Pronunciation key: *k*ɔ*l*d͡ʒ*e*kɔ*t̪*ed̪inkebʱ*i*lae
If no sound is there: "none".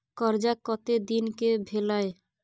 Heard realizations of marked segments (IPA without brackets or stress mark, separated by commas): k, ɾ, a, t̪, e